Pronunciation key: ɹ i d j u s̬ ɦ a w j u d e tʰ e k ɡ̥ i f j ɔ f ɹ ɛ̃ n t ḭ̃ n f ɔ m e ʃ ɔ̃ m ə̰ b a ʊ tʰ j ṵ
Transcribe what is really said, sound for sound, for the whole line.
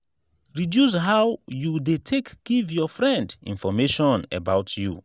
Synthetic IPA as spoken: ɹ i d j u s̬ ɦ a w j u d e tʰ e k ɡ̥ i v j ɔ f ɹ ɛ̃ n d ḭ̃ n f ɔ m e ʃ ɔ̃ n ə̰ b a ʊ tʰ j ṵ